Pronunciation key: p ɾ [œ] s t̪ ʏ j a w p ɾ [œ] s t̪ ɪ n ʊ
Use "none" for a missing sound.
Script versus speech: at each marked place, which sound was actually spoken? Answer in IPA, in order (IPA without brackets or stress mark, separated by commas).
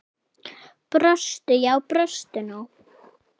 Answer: œ, œ